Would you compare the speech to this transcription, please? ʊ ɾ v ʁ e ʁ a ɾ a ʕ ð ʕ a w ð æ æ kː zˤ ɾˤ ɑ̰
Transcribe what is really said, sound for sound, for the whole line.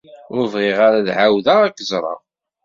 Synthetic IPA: ʊ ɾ v ʁ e ʁ a ɾ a ð ʕ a w ð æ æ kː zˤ ɾˤ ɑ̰